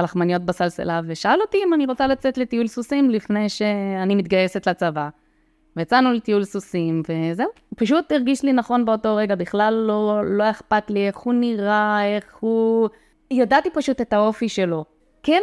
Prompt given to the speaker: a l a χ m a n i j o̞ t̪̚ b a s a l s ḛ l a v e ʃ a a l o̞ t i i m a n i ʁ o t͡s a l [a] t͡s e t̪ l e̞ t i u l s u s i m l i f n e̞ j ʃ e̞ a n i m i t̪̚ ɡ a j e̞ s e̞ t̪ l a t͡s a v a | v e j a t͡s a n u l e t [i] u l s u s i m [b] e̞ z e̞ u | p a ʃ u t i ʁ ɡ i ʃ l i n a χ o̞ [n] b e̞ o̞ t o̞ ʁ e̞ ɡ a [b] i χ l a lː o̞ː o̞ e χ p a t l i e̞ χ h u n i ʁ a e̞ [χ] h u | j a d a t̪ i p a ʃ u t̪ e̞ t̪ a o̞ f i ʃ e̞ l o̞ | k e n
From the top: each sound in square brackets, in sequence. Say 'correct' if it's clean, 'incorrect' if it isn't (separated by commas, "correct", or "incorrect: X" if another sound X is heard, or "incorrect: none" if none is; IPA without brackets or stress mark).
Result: correct, correct, incorrect: v, correct, correct, correct